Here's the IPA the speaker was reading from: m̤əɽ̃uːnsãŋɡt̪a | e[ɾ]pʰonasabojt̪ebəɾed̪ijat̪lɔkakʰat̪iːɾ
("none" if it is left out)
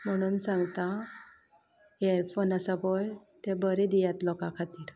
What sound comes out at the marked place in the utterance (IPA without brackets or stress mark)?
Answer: ɾ